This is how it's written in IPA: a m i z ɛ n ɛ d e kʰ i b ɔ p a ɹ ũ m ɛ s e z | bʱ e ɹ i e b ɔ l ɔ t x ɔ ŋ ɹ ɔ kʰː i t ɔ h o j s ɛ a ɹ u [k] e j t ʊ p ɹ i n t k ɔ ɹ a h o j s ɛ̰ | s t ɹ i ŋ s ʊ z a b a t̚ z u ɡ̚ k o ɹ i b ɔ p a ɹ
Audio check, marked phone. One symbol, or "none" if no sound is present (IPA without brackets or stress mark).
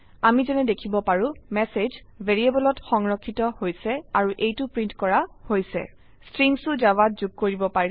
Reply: ʔ